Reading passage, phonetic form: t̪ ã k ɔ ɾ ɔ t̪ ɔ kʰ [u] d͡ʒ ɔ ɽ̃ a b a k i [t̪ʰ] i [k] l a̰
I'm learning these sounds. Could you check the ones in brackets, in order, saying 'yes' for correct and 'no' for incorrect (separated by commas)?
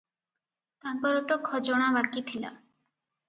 no, yes, no